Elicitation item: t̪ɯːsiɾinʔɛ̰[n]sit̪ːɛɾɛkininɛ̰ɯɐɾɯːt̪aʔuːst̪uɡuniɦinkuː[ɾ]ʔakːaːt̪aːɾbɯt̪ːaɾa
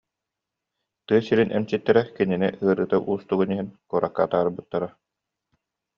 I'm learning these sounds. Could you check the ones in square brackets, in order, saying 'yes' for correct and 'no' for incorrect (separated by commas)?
no, yes